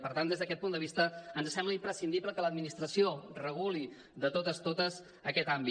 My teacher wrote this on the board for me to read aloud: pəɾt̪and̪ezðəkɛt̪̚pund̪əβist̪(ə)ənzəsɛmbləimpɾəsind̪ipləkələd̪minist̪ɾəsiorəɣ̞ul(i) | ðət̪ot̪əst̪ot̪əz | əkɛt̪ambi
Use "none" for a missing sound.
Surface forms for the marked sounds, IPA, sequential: ə, i

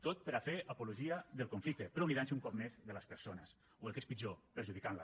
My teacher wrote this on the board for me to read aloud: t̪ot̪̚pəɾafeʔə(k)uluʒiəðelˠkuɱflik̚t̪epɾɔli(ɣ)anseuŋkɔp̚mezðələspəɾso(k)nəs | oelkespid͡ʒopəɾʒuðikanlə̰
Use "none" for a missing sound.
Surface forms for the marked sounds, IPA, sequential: p, ð, none

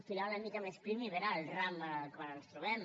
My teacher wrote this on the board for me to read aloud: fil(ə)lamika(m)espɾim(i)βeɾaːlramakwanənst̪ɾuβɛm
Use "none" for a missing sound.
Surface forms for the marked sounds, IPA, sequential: a, m, i

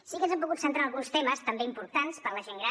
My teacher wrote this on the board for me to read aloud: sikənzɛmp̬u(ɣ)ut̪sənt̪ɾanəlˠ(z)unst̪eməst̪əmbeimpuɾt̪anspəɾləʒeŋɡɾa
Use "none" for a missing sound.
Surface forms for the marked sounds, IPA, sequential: ɣ, ɣ

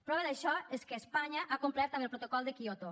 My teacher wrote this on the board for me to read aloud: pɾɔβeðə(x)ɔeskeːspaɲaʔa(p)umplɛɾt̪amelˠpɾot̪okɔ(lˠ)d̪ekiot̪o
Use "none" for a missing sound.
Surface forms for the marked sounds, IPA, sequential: ʃ, k, lˠ

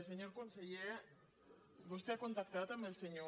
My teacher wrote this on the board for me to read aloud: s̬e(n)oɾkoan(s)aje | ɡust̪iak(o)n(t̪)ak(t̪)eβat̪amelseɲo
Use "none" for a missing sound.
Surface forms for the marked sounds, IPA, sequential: ɲ, s, o, t̪, t̪

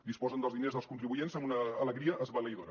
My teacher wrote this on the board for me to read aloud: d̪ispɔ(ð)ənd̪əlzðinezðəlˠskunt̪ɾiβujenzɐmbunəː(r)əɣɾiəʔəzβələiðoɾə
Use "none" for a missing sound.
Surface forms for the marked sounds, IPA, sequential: z, l

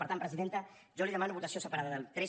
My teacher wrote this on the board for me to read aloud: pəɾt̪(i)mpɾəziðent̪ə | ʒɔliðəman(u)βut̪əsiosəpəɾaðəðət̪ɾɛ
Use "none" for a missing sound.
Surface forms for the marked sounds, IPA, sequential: a, u

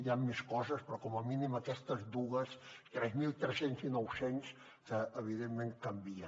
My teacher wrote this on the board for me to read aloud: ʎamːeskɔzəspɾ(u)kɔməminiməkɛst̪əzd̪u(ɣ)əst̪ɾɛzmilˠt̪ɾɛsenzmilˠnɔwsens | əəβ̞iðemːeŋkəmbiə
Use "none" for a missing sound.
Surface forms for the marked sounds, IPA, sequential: ɔ, ɣ

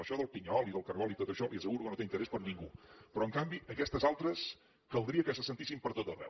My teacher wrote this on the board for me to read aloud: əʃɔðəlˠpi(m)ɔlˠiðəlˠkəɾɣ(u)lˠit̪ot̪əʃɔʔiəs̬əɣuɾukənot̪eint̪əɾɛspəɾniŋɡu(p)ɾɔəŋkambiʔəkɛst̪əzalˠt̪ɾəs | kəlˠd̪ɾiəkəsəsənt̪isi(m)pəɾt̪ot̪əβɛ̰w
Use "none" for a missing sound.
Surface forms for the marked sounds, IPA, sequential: ɲ, ɔ, p, m

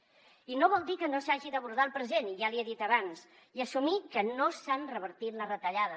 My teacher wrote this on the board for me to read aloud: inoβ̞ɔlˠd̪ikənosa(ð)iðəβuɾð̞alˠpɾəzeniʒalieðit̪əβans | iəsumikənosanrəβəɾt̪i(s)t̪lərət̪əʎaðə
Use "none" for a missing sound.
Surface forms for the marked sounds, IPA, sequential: ʒ, none

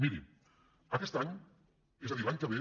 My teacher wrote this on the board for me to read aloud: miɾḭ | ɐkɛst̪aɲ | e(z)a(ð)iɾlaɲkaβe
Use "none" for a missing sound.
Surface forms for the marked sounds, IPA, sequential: z, ð

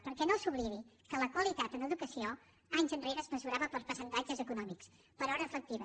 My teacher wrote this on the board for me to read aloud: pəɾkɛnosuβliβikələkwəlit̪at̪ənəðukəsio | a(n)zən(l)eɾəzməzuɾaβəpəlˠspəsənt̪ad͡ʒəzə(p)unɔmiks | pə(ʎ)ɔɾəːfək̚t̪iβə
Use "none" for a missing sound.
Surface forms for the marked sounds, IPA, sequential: ɲ, r, k, ɾ

